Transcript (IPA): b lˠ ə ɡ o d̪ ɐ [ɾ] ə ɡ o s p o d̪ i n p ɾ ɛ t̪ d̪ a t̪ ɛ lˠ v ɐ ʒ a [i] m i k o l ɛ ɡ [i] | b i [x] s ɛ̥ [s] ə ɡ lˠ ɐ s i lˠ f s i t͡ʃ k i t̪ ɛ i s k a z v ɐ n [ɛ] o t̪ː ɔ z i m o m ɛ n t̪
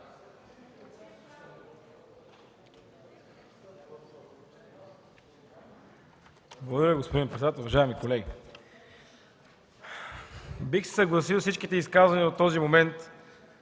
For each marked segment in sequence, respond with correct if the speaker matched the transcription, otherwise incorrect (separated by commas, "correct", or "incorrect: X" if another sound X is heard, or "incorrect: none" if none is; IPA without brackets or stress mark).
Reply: correct, incorrect: ɛ, correct, correct, correct, incorrect: i